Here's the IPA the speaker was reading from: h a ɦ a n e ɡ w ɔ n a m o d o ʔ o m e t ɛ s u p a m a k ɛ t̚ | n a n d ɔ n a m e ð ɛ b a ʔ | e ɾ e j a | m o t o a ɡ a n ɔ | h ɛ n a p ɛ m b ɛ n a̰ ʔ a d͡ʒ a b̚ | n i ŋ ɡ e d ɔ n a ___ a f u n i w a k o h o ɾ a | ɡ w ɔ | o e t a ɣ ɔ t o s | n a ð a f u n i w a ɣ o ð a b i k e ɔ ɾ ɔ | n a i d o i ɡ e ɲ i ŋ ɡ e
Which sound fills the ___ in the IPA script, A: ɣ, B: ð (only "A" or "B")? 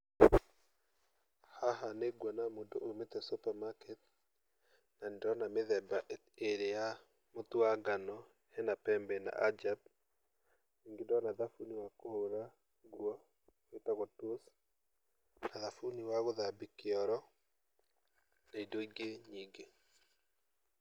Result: B